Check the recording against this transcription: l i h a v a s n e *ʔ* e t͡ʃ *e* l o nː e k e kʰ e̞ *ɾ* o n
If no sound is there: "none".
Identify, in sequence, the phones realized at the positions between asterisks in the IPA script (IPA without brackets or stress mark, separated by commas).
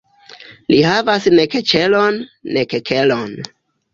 k, e, l